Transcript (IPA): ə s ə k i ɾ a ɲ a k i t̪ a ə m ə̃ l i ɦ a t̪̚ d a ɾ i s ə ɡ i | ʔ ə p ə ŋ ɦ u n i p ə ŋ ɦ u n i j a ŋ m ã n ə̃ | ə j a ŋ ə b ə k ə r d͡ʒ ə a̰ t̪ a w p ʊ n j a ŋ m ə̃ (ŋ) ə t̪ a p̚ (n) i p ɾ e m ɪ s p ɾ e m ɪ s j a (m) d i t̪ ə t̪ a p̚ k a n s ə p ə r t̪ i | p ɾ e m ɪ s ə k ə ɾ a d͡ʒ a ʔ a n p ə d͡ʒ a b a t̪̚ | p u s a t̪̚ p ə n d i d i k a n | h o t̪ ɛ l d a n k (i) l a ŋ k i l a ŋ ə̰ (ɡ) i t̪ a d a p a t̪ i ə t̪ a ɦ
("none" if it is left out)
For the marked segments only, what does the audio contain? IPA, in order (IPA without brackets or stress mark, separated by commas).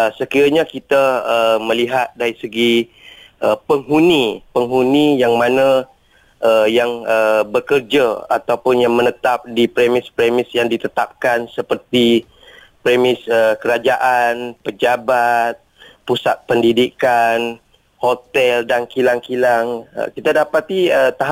n, d, ŋ, i, k